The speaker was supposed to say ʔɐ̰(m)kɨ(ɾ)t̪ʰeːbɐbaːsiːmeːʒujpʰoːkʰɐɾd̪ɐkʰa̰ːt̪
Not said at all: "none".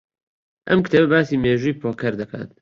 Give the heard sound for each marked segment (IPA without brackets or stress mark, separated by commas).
m, none